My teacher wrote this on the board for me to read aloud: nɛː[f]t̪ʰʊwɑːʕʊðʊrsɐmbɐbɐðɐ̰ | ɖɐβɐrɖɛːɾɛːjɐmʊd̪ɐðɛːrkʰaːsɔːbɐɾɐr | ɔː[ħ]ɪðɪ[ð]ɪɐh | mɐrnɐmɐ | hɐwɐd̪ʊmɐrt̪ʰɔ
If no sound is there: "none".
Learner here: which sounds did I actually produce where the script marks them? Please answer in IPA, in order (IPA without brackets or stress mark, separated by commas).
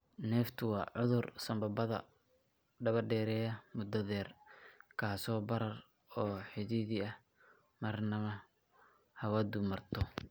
f, ħ, ð